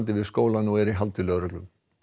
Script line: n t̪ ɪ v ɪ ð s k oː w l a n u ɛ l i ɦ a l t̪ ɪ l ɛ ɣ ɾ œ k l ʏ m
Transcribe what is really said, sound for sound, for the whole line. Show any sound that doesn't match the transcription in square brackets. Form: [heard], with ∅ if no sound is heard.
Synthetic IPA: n t̪ ɪ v ɪ ð s k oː w l a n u ɛ [ɾ] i ɦ a l t̪ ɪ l [œ] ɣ ɾ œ k l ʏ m

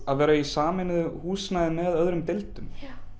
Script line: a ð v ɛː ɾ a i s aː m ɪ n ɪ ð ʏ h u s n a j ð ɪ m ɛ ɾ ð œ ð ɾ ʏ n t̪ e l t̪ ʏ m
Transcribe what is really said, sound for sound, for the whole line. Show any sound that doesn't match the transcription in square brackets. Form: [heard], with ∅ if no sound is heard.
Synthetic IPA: a ð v ɛː ɾ a i s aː m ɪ n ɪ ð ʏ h [uː] s n a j ð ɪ m ɛ [∅] ð œ ð ɾ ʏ [m] t̪ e l t̪ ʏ m

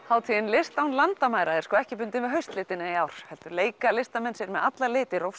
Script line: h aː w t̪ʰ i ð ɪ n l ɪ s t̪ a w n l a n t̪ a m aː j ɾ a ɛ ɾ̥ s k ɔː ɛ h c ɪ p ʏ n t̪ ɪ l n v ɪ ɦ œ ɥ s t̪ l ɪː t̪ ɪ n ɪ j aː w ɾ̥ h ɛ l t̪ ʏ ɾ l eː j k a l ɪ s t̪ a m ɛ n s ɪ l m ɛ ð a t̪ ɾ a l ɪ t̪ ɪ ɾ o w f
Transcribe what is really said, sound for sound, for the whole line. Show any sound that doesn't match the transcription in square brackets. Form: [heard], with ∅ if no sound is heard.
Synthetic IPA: h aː w t̪ʰ i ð ɪ n l ɪ s t̪ a w n l a n t̪ a m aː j ɾ a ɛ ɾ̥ s k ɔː ɛ h c ɪ p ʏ n t̪ ɪ [∅] n v ɪ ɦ œ ɥ s t̪ l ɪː t̪ ɪ n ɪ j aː w ɾ̥ h ɛ l t̪ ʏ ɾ l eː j k a l ɪ s t̪ a m ɛ n s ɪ [ɾ] m ɛ ð a t̪ [l] a l [ɪː] t̪ ɪ ɾ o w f

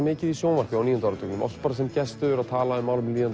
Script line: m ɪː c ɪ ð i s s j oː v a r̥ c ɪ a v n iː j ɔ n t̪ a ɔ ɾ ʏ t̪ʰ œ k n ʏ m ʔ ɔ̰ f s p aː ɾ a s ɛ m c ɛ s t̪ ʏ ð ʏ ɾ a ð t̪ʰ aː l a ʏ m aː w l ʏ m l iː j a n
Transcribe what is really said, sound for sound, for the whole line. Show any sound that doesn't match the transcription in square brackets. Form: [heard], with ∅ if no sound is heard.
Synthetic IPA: m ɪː c ɪ ð i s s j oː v a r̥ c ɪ a [w] n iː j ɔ n t̪ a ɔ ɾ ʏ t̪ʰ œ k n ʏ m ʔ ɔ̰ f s p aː ɾ a s ɛ m c ɛ s t̪ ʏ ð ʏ ɾ a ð t̪ʰ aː l a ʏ m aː w l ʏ m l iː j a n

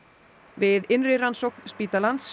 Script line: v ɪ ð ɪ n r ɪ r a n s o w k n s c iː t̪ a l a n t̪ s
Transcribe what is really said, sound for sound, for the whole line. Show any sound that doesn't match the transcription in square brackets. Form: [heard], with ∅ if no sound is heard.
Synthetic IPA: v ɪ ð ɪ n r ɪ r a n s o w k n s [p] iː t̪ a l a n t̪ s

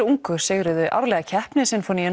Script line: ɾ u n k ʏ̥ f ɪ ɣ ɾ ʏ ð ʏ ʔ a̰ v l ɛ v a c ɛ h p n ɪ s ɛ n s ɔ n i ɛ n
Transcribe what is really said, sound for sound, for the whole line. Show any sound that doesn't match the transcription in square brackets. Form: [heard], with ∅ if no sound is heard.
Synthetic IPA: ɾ u [ŋ] k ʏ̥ [s] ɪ ɣ ɾ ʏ ð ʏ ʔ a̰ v l ɛ [ɣ] a [cʰ] ɛ h p n ɪ s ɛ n [f] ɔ n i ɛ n

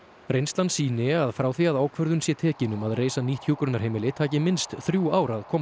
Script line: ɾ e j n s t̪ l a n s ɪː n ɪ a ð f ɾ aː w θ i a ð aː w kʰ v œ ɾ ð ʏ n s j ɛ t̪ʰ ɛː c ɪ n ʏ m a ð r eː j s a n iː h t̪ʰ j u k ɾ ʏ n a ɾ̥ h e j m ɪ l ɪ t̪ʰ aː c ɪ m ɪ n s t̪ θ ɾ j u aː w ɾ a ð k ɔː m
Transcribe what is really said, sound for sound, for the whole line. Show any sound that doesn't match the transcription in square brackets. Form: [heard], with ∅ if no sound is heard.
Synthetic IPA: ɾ e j n s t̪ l a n s [iː] n ɪ a ð f ɾ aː w θ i a ð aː w kʰ v œ ɾ ð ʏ n s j ɛ t̪ʰ ɛː c ɪ n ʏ m a ð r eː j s a n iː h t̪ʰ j u k ɾ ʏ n a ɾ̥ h e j m ɪ l ɪ t̪ʰ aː c ɪ m ɪ n s t̪ θ ɾ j u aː w ɾ a ð [kʰ] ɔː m

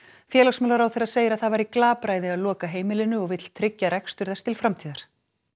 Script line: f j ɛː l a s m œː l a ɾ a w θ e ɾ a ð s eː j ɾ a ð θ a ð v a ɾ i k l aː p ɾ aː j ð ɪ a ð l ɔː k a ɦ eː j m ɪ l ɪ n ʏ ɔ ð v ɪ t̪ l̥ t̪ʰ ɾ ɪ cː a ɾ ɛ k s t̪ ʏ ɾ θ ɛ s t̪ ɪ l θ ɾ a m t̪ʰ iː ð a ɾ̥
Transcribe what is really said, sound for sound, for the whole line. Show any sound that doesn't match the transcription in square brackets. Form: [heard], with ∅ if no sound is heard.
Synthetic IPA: f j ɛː l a s m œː l a ɾ a w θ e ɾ a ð s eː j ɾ a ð θ a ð v a ɾ i k l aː p ɾ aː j ð ɪ a ð l ɔː k a ɦ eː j m ɪ l ɪ n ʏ ɔ [ɣ] v ɪ t̪ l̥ t̪ʰ ɾ ɪ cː a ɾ ɛ k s t̪ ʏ ɾ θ ɛ s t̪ ɪ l [f] ɾ a m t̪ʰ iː ð a ɾ̥

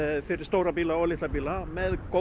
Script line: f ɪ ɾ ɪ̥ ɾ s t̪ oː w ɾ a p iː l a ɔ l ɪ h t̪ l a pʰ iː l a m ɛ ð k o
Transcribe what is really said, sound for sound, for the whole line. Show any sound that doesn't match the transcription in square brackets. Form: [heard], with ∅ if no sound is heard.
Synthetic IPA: f ɪ ɾ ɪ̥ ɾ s t̪ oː w ɾ a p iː l a ɔ l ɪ h t̪ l a [p] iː l a m ɛ ð k o

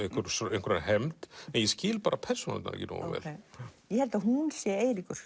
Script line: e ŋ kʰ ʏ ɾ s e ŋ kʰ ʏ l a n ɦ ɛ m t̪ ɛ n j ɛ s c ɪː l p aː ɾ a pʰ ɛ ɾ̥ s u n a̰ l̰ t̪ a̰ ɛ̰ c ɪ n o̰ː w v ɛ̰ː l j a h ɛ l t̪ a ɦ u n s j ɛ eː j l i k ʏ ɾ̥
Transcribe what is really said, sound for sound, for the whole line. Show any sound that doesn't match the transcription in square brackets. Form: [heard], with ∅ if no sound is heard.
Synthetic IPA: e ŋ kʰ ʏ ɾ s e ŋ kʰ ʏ [ɾ] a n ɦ ɛ m t̪ ɛ n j ɛ s c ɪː l p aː ɾ a pʰ ɛ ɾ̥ s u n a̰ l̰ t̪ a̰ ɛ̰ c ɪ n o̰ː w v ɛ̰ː l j [ɛ] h ɛ l t̪ a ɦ u n s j ɛ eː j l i k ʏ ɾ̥

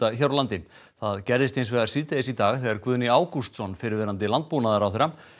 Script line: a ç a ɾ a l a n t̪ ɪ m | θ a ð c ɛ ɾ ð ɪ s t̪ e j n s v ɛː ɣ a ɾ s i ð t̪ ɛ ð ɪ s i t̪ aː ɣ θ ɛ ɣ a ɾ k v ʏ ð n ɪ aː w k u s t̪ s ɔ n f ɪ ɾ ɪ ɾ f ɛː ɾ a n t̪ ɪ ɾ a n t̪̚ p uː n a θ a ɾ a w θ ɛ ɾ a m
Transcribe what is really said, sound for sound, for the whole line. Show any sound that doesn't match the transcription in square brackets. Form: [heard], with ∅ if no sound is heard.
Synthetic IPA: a ç a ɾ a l a n t̪ ɪ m | θ a ð c ɛ ɾ ð ɪ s t̪ e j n s v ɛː ɣ a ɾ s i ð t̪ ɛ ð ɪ s i t̪ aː ɣ θ ɛ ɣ a ɾ k v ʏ ð n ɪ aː w k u s t̪ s ɔ n f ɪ ɾ ɪ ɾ [v] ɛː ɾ a n t̪ ɪ [l] a n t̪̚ p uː n a [ð] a ɾ a w θ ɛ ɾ a m

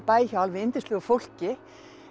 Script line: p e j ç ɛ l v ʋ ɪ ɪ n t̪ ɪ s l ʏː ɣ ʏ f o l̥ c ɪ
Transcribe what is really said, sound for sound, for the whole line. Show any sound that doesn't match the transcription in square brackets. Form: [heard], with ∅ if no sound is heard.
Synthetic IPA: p [a] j ç [a] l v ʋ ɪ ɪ n t̪ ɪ s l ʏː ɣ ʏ f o l̥ c ɪ

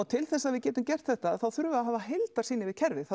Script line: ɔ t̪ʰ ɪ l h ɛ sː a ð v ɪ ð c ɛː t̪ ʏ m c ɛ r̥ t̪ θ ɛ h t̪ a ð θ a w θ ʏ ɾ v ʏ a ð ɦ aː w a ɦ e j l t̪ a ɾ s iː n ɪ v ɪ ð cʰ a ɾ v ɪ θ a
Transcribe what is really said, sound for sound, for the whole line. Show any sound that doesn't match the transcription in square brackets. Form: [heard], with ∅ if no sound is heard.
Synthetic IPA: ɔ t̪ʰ ɪ l [θ] ɛ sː a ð v ɪ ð c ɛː t̪ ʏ m c ɛ r̥ t̪ θ ɛ h t̪ a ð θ a w θ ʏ ɾ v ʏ a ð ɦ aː [v] a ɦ e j l t̪ a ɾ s iː n ɪ v ɪ ð cʰ [ɛ] ɾ v ɪ θ a

